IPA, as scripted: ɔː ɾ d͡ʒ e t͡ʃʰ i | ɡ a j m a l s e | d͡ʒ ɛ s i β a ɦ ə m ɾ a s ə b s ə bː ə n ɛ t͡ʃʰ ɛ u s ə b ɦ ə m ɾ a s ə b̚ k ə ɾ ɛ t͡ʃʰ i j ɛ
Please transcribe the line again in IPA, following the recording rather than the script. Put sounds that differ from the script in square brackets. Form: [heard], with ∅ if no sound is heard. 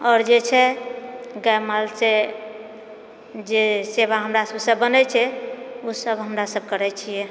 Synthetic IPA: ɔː ɾ d͡ʒ e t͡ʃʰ [ɛ] | ɡ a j m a l s e | d͡ʒ [e] s [e] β a ɦ ə m ɾ a s ə b s ə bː ə n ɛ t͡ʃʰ ɛ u s ə b ɦ ə m ɾ a s ə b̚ k ə ɾ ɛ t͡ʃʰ i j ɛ